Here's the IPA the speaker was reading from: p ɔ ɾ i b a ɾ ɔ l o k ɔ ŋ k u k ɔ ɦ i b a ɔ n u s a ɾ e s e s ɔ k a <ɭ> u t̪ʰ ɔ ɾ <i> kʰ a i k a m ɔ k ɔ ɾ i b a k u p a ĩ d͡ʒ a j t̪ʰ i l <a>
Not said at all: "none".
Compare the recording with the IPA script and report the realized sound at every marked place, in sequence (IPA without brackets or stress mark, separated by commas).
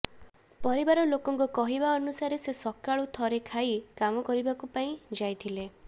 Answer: ɭ, e, e